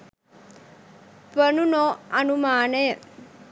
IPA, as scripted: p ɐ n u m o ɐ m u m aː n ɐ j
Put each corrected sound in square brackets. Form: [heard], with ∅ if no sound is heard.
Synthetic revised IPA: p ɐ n u [n] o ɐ [n] u m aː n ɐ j